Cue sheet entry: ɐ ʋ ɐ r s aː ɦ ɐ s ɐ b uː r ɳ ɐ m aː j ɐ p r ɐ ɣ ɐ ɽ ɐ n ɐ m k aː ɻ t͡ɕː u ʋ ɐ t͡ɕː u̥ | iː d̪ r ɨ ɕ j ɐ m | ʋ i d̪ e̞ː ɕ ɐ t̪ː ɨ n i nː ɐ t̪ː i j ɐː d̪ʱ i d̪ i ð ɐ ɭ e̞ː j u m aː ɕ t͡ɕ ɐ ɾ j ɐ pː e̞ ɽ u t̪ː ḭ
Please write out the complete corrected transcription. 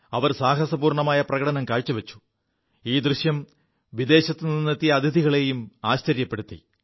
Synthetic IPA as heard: ɐ ʋ ɐ r s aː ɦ ɐ s ɐ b uː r ɳ ɐ m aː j ɐ p r ɐ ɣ ɐ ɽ ɐ n ɐ m k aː ɻ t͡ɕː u ʋ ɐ t͡ɕː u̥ | iː d̪ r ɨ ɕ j ɐ m | ʋ i d̪ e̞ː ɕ ɐ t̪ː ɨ n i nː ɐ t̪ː i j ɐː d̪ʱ i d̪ i ɣ ɐ ɭ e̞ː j u m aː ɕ t͡ɕ ɐ ɾ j ɐ pː e̞ ɽ u t̪ː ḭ

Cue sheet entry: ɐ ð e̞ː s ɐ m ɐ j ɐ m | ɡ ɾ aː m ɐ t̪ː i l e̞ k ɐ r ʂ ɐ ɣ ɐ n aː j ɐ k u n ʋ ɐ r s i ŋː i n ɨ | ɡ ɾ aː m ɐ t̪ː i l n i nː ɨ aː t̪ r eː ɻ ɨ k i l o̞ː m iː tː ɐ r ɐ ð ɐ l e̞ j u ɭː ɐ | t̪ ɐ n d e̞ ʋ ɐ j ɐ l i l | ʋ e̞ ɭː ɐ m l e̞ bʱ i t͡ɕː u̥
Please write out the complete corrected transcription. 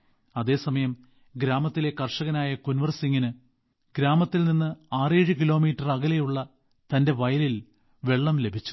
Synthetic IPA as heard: ɐ ð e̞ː s ɐ m ɐ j ɐ m | ɡ ɾ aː m ɐ t̪ː i l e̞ k ɐ r ʂ ɐ ɣ ɐ n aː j ɐ k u n ʋ ɐ r s i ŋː i n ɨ | ɡ ɾ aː m ɐ t̪ː i l n i nː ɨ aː r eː ɻ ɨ k i l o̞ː m iː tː ɐ r ɐ ɣ ɐ l e̞ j u ɭː ɐ | t̪ ɐ n d e̞ ʋ ɐ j ɐ l i l | ʋ e̞ ɭː ɐ m l e̞ bʱ i t͡ɕː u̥

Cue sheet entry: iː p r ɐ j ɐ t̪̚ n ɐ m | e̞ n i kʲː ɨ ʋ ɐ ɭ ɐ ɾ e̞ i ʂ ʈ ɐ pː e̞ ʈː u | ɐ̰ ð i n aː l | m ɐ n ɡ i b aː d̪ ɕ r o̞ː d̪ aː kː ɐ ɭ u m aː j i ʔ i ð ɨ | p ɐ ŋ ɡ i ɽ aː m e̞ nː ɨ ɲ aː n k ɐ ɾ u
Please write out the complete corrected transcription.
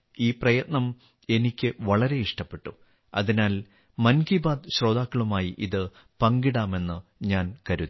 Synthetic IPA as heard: iː p r ɐ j ɐ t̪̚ n ɐ m | e̞ n i kʲː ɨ ʋ ɐ ɭ ɐ ɾ e̞ i ʂ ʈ ɐ pː e̞ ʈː u | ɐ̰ ð i n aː l | m ɐ n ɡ i b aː d̪ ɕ r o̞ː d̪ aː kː ɐ ɭ u m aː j i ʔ i ð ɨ | p ɐ ŋ ɡ i ɽ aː m e̞ nː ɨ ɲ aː n k ɐ ɾ u

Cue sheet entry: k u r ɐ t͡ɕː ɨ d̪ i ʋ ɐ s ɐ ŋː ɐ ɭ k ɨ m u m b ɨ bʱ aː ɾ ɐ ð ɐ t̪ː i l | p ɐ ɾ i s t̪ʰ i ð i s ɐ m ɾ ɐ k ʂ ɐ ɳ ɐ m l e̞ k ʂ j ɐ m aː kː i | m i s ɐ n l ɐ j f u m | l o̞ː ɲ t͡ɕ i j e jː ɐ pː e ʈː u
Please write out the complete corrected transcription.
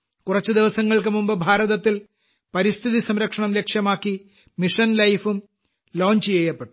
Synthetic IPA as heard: k u r ɐ t͡ɕː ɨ d̪ i ʋ ɐ s ɐ ŋː ɐ ɭ k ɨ m u m b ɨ bʱ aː ɾ ɐ ð ɐ t̪ː i l | p ɐ ɾ i s t̪ʰ i ð i s ɐ m ɾ ɐ k ʂ ɐ ɳ ɐ m l e̞ k ʂ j ɐ m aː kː i | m i ʂ ɐ n l ɐ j f u m | l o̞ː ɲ t͡ɕ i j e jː ɐ pː e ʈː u

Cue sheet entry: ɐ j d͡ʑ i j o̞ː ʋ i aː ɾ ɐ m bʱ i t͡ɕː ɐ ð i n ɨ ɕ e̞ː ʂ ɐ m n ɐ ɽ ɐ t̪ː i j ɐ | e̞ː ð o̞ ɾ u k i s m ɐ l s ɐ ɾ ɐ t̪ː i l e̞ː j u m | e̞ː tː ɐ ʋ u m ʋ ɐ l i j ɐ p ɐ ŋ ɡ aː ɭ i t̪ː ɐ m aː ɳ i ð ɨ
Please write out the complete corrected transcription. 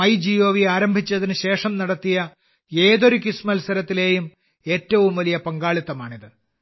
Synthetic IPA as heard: ɐ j d͡ʑ i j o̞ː ʋ i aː ɾ ɐ m bʱ i t͡ɕː ɐ ð i n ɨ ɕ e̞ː ʂ ɐ m n ɐ ɽ ɐ t̪ː i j ɐ | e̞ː ð o̞ ɾ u k i s m ɐ l s ɐ ɾ ɐ t̪ː i l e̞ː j u m | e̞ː tː ɐ ʋ u m ʋ ɐ l i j ɐ p ɐ ŋ ɡ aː ɭ i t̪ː ɐ m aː ɳ i ð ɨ

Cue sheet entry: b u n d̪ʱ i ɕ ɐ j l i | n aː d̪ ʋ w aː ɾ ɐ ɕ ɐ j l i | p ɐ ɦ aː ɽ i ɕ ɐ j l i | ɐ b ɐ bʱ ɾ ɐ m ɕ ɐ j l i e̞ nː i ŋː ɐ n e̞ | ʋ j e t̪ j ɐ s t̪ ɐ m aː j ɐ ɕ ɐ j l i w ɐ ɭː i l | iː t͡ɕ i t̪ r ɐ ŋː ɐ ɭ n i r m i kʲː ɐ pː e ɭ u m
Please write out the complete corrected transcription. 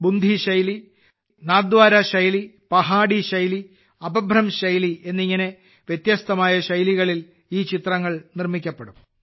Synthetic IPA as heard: b u n d̪ʱ i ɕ ɐ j l i | n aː d̪ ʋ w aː ɾ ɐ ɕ ɐ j l i | p ɐ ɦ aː ɽ i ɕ ɐ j l i | ɐ b ɐ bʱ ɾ ɐ m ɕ ɐ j l i e̞ nː i ŋː ɐ n e̞ | ʋ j e t̪ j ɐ s t̪ ɐ m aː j ɐ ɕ ɐ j l i ɣ ɐ ɭ i l | iː t͡ɕ i t̪ r ɐ ŋː ɐ ɭ n i r m i kʲː ɐ pː e ɽ u m

